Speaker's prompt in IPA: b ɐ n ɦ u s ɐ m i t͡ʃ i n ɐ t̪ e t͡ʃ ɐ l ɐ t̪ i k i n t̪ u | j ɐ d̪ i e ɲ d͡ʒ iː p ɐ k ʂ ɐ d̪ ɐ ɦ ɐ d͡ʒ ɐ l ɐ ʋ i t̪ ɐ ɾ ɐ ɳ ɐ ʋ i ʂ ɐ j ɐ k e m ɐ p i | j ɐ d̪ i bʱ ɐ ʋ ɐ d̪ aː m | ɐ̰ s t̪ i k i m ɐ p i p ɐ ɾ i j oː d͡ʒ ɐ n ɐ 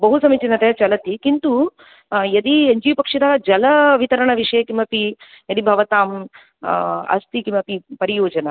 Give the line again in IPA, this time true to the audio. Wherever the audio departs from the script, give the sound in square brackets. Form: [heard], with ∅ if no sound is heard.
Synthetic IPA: b ɐ [∅] ɦ u s ɐ m i t͡ʃ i n ɐ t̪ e t͡ʃ ɐ l ɐ t̪ i k i n t̪ u | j ɐ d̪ i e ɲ d͡ʒ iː p ɐ k ʂ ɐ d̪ ɐ ɦ ɐ d͡ʒ ɐ l ɐ ʋ i t̪ ɐ ɾ ɐ ɳ ɐ ʋ i ʂ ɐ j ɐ k [i] m ɐ p i | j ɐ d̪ i bʱ ɐ ʋ ɐ [t̪] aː m | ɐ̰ s t̪ i k i m ɐ p i p ɐ ɾ i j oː d͡ʒ ɐ n ɐ